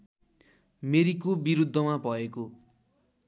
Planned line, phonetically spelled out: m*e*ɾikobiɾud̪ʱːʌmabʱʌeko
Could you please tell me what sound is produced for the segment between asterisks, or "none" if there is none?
e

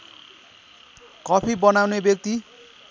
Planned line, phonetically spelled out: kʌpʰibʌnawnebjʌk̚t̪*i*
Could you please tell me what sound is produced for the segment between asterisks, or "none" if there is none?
i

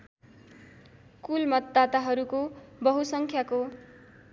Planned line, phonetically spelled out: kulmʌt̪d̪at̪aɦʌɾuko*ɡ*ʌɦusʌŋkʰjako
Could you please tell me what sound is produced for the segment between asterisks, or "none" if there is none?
b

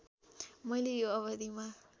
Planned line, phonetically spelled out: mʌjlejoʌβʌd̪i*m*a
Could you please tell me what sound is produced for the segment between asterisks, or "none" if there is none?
m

